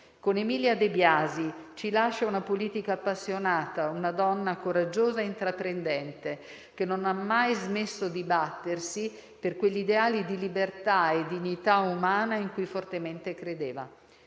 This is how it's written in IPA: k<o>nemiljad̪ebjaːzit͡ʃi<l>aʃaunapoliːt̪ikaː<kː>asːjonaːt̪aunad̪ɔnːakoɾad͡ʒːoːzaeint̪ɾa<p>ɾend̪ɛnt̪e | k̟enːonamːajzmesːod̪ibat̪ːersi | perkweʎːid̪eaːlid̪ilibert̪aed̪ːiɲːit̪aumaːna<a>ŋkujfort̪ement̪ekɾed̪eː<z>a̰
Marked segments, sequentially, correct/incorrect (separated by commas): correct, correct, incorrect, correct, incorrect, incorrect